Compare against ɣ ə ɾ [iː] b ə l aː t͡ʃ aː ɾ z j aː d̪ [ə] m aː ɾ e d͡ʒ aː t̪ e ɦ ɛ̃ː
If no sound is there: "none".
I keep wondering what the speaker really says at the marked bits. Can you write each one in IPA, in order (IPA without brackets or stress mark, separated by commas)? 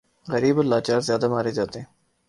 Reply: iː, a